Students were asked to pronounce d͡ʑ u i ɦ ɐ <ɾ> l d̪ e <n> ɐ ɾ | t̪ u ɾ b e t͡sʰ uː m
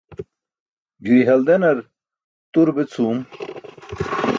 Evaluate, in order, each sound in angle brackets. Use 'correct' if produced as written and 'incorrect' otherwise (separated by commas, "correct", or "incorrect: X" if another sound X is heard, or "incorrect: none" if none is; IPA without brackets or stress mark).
incorrect: none, correct